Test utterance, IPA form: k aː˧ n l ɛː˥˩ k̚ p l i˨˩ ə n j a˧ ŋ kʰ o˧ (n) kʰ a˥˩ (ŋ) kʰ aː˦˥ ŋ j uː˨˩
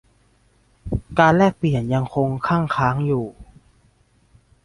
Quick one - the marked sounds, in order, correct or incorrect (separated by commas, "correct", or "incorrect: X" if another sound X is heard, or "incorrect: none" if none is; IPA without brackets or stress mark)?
incorrect: ŋ, correct